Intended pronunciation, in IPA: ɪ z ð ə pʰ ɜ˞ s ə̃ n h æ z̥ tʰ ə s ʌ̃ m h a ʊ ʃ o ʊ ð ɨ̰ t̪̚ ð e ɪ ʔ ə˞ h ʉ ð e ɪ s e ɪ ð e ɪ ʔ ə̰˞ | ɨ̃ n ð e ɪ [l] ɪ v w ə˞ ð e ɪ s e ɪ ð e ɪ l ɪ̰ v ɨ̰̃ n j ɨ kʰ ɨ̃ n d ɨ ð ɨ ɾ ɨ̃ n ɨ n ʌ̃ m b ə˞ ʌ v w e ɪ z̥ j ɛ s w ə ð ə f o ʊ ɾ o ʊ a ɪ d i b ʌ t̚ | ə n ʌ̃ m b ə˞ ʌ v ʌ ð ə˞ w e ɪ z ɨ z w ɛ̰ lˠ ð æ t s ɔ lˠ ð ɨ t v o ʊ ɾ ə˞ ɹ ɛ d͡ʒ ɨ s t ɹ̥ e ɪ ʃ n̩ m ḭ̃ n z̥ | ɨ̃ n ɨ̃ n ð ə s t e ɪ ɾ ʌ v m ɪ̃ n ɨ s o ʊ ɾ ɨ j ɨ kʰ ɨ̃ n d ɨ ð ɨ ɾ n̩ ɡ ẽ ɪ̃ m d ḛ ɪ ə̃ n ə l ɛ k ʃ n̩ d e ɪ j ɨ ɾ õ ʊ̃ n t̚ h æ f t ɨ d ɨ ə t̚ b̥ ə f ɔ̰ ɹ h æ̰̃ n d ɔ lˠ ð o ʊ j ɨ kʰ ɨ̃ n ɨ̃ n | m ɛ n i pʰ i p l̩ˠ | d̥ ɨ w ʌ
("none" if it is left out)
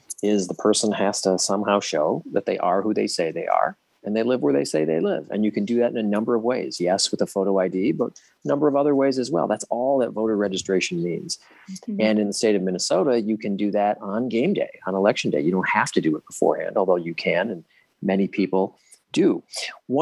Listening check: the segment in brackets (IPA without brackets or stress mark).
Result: l